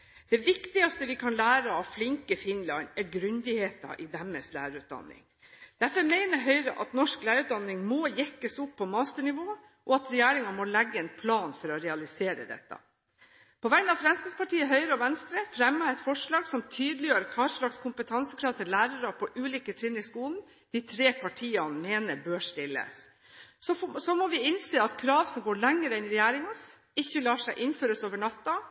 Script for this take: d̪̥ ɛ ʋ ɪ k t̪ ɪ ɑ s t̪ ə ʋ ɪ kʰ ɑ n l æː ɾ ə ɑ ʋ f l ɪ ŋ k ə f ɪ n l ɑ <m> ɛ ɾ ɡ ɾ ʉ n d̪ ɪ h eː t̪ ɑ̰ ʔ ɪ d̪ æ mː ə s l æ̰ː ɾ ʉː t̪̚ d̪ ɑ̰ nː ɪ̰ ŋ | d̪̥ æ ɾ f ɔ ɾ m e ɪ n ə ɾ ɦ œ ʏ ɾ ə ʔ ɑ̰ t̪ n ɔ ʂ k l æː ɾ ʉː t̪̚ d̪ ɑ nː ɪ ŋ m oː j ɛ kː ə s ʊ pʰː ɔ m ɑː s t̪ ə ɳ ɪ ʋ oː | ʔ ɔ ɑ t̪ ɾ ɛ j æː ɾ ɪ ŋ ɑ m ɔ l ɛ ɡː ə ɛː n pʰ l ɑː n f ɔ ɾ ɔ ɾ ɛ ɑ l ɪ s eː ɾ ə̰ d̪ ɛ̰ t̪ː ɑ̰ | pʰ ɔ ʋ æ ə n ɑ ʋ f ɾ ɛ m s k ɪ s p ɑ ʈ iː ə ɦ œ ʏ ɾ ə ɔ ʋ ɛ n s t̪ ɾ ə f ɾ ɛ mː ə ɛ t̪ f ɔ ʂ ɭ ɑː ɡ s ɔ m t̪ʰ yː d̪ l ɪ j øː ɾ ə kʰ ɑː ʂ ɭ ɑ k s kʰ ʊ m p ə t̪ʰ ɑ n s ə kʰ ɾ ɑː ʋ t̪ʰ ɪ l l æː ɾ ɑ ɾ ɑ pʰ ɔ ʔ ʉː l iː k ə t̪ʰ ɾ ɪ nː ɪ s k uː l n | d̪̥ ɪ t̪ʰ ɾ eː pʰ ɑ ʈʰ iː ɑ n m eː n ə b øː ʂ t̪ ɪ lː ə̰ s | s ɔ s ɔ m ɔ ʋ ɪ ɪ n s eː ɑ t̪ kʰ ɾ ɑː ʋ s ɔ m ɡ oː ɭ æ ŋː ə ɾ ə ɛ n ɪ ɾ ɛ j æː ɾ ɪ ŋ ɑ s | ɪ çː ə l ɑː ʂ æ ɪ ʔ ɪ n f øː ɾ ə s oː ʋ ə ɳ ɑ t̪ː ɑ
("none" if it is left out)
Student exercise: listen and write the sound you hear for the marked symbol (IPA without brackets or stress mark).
n